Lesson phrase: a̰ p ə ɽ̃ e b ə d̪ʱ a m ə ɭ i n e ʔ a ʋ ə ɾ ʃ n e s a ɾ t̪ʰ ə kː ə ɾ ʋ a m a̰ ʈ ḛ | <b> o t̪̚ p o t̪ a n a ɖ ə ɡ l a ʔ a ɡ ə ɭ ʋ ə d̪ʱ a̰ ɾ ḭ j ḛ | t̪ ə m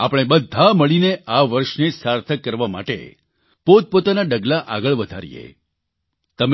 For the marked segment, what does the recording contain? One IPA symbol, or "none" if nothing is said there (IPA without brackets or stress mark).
p